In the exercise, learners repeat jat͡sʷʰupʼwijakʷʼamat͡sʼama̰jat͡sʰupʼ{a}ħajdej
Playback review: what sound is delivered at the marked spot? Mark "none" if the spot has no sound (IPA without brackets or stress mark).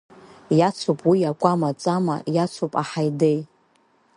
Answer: a